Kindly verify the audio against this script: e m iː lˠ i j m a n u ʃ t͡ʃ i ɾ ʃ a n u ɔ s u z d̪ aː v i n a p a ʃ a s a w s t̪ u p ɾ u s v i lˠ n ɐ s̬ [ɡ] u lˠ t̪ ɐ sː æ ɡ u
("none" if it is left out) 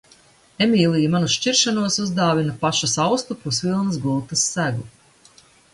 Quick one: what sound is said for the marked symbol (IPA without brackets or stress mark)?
ɡ